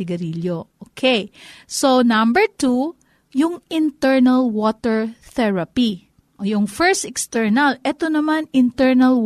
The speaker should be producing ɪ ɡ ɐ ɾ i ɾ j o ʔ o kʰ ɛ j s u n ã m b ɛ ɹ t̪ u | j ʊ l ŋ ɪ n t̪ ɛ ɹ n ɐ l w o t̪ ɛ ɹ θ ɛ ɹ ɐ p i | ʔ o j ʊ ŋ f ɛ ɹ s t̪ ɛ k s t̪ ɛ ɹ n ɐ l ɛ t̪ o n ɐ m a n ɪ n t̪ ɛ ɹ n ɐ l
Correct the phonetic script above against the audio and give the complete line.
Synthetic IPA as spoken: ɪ ɡ ɐ ɾ i l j o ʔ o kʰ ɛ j s o n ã m b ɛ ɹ t̪ u | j ʊ ŋ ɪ n t̪ ɛ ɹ n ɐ l w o t̪ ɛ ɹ θ ɛ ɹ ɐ p i | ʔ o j ʊ ŋ f ɛ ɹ s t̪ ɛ k s t̪ ɛ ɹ n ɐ l ɛ t̪ o n ɐ m a n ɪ n t̪ ɛ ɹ n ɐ l